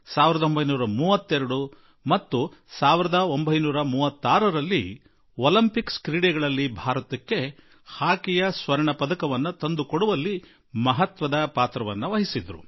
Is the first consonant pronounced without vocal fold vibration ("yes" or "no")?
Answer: yes